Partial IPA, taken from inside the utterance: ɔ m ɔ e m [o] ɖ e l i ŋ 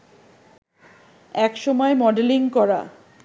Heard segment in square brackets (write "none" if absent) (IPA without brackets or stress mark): ɔ